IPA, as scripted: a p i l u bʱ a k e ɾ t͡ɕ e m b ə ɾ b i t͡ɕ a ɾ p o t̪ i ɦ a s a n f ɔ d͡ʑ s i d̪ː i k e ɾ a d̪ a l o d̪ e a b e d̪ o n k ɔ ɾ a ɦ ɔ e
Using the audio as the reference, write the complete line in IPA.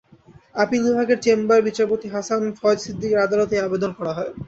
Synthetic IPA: a p i l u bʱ a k e ɾ t͡ɕ e m b a ɾ b i t͡ɕ a ɾ p o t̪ i ɦ a s a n f ɔ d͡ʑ s i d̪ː i k e ɾ a d̪ a l o t̪ e a b e d̪ o n k ɔ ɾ a ɦ ɔ e